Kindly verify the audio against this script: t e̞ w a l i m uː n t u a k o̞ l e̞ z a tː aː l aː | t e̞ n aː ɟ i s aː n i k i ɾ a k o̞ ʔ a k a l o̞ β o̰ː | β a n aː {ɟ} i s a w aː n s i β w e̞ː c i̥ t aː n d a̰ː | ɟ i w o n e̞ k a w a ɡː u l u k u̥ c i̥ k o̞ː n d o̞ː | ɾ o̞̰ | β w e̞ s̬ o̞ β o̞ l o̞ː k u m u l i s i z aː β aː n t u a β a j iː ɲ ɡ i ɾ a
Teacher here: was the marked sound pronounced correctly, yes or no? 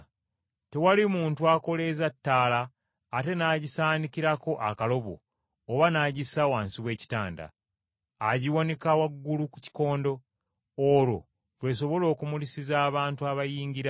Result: yes